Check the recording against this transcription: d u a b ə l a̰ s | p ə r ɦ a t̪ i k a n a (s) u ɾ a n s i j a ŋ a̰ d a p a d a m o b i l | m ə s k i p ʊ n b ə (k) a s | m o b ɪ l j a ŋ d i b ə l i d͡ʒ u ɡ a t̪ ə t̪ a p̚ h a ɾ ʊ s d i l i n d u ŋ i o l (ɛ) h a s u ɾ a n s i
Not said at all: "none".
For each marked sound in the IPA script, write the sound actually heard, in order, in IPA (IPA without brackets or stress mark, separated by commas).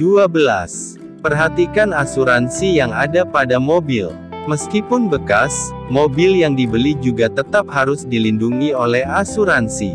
s, k, ɛ